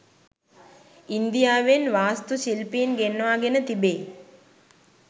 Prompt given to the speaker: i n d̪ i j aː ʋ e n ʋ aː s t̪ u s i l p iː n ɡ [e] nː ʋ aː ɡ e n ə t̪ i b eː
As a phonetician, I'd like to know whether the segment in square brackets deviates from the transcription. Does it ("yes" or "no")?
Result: no